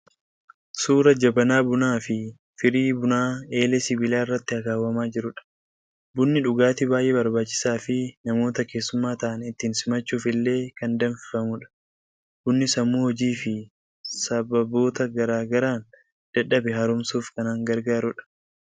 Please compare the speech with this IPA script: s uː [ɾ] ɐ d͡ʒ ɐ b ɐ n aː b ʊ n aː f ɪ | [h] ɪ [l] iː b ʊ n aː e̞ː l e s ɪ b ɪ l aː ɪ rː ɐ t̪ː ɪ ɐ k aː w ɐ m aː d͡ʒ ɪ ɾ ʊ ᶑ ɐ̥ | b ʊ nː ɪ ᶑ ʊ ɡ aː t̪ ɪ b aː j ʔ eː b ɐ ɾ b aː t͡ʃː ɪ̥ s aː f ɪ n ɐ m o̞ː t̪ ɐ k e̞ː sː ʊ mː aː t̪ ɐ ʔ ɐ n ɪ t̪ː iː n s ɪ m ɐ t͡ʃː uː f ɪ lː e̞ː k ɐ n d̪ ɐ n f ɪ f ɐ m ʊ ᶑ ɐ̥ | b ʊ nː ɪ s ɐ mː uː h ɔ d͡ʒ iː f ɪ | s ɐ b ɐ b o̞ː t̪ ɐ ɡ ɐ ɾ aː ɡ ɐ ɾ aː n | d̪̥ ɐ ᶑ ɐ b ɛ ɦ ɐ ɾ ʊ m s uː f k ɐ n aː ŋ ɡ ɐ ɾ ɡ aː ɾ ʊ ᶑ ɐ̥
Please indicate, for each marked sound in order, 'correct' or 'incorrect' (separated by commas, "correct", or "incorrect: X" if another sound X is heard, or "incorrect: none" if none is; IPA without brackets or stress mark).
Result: correct, incorrect: f, incorrect: ɾ